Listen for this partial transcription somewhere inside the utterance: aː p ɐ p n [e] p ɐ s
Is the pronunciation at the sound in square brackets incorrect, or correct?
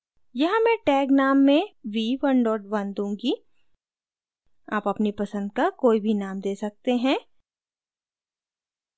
incorrect